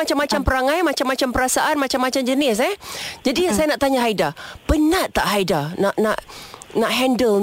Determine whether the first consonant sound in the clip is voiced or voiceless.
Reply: voiceless